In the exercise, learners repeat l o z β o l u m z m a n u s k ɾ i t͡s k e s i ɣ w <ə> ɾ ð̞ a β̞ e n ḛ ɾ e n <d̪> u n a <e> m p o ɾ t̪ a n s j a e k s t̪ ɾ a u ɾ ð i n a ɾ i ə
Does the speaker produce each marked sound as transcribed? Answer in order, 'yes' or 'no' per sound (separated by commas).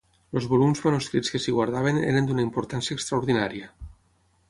no, yes, no